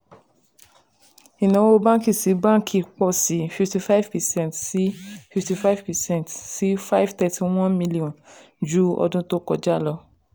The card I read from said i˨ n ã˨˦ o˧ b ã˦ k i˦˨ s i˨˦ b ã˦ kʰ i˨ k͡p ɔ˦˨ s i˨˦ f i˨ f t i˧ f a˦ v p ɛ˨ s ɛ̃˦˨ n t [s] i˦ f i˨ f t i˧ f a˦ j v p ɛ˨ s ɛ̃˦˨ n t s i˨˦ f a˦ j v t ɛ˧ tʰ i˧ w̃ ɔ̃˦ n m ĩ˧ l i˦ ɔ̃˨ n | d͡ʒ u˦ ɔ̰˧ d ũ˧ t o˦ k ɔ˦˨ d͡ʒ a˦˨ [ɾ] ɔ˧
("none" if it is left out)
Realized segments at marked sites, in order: s, l

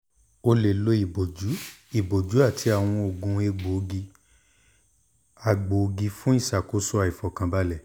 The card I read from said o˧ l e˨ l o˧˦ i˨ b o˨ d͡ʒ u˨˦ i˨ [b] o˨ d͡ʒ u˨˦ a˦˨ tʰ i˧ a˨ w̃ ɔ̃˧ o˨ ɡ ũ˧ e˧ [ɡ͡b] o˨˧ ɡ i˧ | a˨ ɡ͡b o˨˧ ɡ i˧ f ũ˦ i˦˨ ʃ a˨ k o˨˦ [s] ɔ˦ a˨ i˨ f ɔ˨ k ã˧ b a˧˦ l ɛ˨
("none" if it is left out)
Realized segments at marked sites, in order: b, ɡ͡b, s

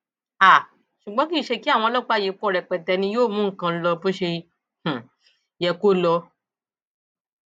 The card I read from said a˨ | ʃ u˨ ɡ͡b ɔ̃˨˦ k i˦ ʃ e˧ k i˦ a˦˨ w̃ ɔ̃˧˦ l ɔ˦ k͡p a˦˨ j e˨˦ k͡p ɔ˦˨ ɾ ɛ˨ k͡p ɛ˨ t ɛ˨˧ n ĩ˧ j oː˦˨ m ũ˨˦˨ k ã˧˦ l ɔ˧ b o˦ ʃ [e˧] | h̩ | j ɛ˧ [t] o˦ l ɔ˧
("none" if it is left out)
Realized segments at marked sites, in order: e˧, k

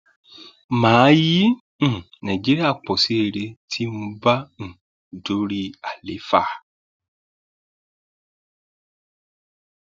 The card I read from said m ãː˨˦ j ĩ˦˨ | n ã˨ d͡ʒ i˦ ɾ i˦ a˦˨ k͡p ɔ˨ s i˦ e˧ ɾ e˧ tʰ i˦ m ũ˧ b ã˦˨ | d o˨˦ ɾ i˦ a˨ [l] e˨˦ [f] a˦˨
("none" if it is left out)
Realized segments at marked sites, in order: l, f

